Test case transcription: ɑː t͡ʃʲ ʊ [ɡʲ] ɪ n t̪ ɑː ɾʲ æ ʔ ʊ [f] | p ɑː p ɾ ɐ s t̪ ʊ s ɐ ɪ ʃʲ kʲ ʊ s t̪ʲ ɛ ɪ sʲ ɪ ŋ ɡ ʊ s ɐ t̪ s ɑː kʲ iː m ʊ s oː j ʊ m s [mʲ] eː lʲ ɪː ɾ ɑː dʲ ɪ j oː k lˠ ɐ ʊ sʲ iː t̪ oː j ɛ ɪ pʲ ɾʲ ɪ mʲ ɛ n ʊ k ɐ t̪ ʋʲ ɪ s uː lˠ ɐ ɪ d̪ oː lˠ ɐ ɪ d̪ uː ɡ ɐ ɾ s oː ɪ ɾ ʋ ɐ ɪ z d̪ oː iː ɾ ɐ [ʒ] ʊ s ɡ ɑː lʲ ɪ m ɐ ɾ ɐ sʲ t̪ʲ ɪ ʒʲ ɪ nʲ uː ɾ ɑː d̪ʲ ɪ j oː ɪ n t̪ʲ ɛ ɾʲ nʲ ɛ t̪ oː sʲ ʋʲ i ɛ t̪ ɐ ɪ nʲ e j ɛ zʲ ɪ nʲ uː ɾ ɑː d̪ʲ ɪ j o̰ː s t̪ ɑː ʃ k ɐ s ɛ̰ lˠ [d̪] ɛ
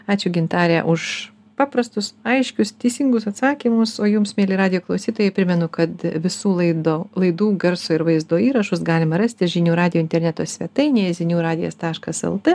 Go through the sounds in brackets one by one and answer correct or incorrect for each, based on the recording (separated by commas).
correct, incorrect, correct, incorrect, incorrect